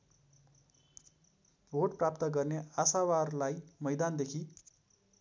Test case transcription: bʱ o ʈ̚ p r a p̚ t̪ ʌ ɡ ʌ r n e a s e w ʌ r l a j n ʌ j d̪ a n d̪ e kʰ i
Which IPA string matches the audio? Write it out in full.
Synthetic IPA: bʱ o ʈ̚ p r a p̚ t̪ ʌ ɡ ʌ r n e a s a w a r l a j m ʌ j d̪ a n d̪ e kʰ i